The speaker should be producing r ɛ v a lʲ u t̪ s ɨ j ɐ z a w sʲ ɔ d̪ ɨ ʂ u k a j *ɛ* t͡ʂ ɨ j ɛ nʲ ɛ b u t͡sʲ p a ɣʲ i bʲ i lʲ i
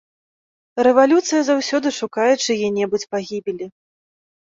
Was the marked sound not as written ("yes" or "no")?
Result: no